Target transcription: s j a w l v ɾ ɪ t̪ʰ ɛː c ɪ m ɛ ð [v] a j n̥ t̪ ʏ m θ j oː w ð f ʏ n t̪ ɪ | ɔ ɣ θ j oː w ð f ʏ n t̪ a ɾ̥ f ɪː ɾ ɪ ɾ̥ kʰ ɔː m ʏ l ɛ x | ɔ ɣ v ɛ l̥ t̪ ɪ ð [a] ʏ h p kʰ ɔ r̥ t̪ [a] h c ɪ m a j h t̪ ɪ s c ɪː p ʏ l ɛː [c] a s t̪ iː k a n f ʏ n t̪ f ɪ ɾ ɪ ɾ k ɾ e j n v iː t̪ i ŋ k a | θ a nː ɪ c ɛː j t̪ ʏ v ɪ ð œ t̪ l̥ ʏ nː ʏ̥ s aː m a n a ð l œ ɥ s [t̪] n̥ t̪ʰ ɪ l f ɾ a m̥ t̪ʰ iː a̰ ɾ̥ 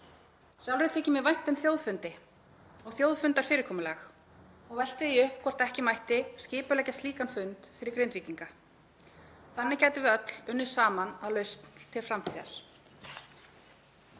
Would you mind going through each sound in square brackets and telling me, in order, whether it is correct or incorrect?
correct, incorrect, incorrect, correct, correct

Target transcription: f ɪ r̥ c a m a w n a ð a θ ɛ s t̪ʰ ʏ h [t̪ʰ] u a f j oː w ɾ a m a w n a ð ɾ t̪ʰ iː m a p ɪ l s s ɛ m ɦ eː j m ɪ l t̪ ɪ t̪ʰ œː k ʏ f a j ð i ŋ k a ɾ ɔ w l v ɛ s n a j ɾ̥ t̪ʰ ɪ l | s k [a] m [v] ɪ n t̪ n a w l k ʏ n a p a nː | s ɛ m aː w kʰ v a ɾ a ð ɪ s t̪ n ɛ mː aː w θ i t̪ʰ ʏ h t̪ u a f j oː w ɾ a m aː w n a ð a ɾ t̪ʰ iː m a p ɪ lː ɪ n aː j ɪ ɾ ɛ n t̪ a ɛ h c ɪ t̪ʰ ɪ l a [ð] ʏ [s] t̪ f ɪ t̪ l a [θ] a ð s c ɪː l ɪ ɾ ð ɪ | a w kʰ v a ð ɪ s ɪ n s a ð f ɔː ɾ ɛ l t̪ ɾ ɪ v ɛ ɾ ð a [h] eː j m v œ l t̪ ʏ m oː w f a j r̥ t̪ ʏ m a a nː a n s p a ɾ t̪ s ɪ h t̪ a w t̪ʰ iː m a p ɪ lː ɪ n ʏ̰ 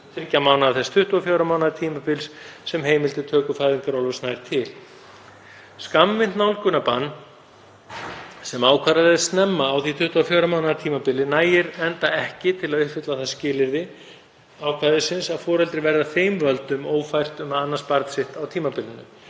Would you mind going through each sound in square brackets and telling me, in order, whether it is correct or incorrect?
incorrect, correct, correct, correct, incorrect, correct, incorrect

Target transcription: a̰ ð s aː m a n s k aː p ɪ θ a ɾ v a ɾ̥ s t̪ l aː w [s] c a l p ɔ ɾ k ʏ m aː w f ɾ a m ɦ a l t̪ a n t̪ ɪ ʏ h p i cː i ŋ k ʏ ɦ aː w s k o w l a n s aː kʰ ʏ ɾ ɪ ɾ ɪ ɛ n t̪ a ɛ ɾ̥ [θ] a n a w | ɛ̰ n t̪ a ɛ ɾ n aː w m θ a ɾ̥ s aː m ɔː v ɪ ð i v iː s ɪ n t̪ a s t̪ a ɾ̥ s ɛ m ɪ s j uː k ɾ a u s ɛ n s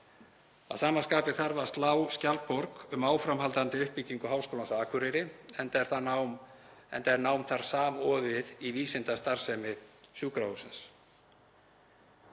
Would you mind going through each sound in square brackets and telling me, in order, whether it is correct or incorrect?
correct, correct

